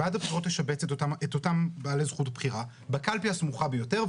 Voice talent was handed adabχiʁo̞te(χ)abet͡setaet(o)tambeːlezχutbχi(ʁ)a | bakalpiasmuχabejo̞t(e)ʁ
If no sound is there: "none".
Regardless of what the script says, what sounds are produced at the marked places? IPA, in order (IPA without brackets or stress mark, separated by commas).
ʃ, o, ʁ, e